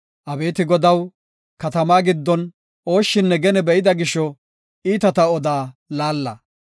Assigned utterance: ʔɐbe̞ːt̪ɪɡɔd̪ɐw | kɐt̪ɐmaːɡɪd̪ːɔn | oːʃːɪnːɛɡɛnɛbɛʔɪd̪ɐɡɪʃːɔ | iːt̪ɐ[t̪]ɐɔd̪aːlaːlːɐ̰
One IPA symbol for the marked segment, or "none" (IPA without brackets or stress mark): t̪